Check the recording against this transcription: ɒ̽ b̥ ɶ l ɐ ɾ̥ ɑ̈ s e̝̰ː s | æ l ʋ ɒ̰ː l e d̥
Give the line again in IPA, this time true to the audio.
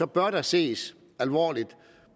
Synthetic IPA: ɒ̽ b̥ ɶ ɐ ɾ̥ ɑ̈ s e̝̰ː s | æ l ʋ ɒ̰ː l i d̥

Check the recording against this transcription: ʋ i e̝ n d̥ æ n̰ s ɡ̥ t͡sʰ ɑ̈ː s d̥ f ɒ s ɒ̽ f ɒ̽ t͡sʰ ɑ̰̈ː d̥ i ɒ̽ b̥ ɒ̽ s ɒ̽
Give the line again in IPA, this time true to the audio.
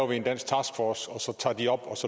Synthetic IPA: ʋ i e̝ n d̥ æ n̰ s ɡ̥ t͡sʰ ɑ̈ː s ɡ̥ f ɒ s ɒ̽ s ɒ̽ t͡sʰ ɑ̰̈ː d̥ i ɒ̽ b̥ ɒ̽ s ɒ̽

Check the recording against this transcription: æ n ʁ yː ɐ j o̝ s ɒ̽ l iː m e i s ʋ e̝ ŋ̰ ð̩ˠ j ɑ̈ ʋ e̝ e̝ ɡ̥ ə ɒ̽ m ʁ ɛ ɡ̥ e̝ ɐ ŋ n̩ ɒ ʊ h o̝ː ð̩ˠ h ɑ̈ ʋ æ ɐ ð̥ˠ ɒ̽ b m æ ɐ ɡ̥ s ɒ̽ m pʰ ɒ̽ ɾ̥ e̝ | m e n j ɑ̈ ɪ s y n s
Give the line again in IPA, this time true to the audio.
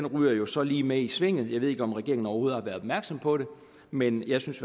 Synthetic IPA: e n ʁ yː ɐ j o̝ s ɒ̽ l iː m e i s ʋ e̝ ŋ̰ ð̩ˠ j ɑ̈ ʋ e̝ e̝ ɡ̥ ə ɒ̽ m ʁ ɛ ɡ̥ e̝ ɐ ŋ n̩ ɒ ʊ h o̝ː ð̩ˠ h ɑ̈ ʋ æ ɐ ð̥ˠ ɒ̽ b m æ ɐ ɡ̥ s ɒ̽ m pʰ ɒ̽ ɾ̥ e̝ | m e n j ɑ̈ ɪ s y n s

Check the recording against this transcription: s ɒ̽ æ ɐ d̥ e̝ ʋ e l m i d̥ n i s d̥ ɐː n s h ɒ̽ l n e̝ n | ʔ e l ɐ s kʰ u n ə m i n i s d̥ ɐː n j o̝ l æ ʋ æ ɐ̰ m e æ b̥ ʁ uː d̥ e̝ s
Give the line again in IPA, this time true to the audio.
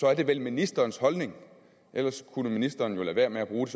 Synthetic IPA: s ɒ̽ æ ɐ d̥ e̝ ʋ e l m i n i s d̥ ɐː n s h ɒ̽ l n e̝ ŋ | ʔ e l ɐ s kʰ u n ə m i n i s d̥ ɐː n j o̝ l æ ʋ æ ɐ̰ m e æ b̥ ʁ uː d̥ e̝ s

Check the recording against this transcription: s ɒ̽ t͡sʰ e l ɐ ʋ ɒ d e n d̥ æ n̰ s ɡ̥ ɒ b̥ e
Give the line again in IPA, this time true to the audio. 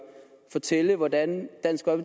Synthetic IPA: f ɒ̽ t͡sʰ e l ə ʋ ɒ d æ n d̥ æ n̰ s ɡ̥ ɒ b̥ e

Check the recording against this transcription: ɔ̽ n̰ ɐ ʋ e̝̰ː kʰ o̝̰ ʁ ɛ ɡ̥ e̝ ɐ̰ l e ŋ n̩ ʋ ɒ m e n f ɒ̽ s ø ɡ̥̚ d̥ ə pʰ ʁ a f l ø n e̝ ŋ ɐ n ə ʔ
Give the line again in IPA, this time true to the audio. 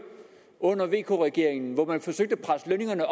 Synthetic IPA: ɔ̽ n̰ ɐ ʋ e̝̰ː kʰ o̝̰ ʁ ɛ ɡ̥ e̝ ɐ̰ e ŋ n̩ ʋ ɒ m æ n f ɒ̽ s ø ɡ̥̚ d̥ ə pʰ ʁ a s l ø n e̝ ŋ ɐ n ə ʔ

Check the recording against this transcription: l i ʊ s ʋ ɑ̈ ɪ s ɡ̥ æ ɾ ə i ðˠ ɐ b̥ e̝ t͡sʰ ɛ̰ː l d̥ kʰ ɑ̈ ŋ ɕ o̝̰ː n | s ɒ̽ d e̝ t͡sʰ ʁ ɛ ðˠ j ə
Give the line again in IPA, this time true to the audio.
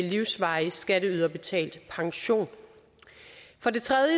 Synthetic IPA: l i ʊ s ʋ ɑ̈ ɪ s ɡ̥ æ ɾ ə y ðˠ ɐ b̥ e̝ t͡sʰ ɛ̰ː l d̥ pʰ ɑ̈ ŋ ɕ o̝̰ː n | f ɒ̽ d e̝ t͡sʰ ʁ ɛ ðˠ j ə

